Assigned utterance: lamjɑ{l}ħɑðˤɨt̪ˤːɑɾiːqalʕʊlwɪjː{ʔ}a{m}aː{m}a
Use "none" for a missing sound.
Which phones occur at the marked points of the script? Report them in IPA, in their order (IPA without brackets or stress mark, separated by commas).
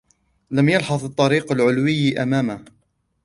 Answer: l, ʔ, m, m